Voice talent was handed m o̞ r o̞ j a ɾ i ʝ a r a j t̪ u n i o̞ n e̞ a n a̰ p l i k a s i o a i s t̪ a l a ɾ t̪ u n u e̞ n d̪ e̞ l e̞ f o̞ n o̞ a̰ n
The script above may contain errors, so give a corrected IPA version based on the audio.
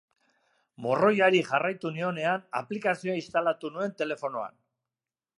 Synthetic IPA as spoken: m o̞ r o̞ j a ɾ i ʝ a r a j t̪ u n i o̞ n e̞ a n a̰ p l i k a s i o a i s t̪ a l a t̪ u n u e̞ n t̪ e̞ l e̞ f o̞ n o̞ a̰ n